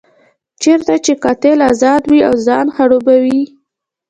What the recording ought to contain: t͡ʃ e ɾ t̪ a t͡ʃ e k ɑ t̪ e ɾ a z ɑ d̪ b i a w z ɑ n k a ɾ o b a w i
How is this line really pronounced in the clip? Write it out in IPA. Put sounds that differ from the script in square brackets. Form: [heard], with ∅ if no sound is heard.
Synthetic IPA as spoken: t͡ʃ e ɾ t̪ a t͡ʃ e k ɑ t̪ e [l] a z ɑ d̪ [w] i a w z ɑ n [x] a [ɽ] o b a w i